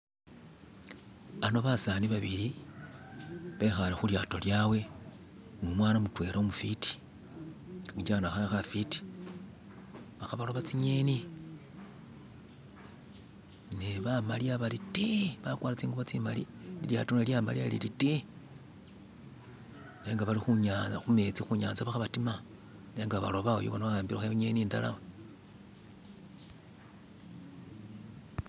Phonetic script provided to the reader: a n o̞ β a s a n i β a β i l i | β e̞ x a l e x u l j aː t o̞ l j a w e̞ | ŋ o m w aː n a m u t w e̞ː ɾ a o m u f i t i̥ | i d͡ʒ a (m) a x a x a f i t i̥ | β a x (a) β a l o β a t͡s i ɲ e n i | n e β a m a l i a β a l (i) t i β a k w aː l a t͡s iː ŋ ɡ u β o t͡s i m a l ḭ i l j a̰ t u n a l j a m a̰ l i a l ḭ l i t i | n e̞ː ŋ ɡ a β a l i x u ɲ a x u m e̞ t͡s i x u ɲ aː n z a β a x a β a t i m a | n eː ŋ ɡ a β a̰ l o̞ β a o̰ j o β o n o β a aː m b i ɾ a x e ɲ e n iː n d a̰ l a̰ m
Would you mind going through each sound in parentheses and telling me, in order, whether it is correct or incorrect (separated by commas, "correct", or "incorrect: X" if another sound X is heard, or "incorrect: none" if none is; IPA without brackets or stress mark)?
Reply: incorrect: n, correct, correct